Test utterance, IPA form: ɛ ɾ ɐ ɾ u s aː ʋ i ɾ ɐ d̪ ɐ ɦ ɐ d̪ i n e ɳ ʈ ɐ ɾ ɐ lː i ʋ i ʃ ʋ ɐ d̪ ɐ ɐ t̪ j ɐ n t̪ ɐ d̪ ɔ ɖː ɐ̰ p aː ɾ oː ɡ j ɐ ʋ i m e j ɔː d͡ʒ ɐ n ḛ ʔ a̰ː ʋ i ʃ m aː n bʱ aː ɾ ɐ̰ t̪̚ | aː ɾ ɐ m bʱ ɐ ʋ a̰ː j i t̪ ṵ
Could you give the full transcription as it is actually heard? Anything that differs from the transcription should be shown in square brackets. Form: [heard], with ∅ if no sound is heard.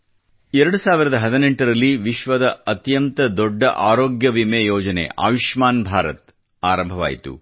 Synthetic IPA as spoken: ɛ ɾ ɐ [ɽ] u s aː ʋ i ɾ ɐ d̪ ɐ ɦ ɐ d̪ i n e ɳ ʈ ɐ ɾ ɐ lː i ʋ i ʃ ʋ ɐ d̪ ɐ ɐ t̪ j ɐ n t̪ ɐ d̪ ɔ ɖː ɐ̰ [ʔ] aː ɾ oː ɡ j ɐ ʋ i m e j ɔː d͡ʒ ɐ n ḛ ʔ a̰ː ʋ i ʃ m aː n bʱ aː ɾ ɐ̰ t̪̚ | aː ɾ ɐ m bʱ ɐ ʋ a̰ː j i t̪ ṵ